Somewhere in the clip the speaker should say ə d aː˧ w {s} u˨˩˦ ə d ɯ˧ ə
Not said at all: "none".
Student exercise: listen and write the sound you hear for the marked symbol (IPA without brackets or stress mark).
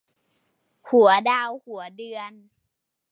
h